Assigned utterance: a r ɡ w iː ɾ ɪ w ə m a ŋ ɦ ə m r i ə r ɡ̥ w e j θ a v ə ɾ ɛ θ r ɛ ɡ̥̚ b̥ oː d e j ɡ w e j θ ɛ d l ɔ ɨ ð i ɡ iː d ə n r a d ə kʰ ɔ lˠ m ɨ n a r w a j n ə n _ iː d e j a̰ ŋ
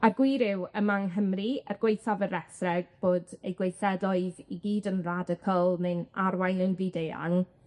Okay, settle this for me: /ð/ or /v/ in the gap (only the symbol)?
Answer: v